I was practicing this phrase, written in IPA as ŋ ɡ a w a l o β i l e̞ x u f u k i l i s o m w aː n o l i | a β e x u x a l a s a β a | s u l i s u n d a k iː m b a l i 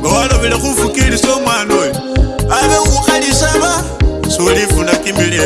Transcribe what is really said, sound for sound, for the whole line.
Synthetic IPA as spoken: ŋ ɡ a w a l o β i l e̞ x u f u k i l i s o m w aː n o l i | a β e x u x a l i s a β a | s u l i f u n d a k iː m b i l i